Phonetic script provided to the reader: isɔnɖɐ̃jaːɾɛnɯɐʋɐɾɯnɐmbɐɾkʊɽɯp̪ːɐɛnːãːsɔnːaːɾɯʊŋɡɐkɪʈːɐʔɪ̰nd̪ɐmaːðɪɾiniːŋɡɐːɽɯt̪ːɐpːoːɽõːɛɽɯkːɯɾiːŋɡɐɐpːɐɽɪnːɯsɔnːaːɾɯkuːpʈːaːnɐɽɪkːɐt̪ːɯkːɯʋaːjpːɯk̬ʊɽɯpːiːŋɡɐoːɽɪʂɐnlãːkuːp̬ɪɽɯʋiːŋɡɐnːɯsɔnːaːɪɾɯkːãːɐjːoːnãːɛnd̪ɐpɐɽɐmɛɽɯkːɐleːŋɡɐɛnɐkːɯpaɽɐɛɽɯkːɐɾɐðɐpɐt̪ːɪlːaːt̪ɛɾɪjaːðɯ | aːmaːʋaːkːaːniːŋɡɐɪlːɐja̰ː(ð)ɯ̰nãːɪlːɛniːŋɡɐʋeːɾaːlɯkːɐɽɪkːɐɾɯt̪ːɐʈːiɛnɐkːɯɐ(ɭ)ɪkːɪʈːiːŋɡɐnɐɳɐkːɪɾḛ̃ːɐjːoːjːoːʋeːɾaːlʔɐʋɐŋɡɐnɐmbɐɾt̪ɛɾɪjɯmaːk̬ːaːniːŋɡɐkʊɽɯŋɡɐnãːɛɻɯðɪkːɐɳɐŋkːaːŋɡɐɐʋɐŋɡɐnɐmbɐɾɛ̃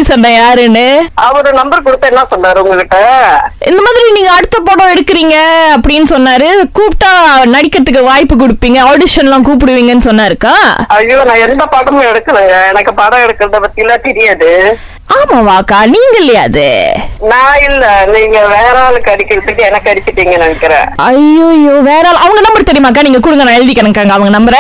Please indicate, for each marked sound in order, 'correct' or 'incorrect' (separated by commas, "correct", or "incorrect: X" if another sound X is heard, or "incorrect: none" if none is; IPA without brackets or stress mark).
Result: correct, incorrect: ɽ